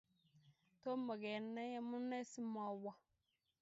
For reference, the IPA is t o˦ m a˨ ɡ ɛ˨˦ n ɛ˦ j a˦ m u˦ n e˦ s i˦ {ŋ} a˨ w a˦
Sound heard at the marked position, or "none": m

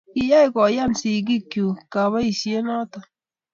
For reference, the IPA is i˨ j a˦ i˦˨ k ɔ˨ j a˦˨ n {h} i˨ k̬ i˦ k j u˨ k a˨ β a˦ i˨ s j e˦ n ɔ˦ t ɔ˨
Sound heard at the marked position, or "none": s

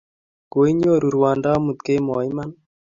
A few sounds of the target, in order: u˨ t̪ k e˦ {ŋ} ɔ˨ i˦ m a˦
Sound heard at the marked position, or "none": m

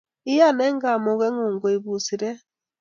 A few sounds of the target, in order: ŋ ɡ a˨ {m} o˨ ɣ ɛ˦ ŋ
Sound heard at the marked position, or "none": m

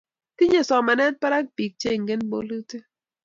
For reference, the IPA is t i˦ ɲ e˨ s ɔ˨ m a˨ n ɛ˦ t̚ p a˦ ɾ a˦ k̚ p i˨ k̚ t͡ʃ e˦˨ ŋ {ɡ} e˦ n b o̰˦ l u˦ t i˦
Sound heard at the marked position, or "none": ɡ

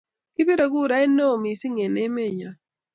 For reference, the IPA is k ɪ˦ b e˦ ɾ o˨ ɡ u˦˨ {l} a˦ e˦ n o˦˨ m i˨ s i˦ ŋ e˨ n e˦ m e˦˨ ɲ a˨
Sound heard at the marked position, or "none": ɾ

